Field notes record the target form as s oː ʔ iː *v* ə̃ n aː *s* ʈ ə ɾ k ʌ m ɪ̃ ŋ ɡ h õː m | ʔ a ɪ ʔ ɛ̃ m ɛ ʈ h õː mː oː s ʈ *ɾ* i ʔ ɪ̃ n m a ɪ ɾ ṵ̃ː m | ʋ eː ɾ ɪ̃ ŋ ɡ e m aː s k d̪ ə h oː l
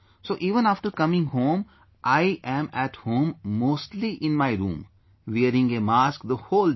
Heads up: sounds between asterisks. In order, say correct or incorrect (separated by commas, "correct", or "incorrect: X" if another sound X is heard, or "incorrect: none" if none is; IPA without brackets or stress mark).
incorrect: ʋ, incorrect: f, incorrect: l